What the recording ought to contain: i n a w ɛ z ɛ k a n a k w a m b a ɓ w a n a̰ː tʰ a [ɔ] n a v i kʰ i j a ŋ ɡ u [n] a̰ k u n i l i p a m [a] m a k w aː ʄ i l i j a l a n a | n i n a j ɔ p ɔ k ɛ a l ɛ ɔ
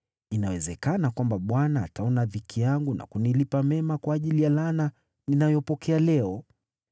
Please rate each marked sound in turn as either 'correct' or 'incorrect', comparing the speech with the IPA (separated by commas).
correct, correct, incorrect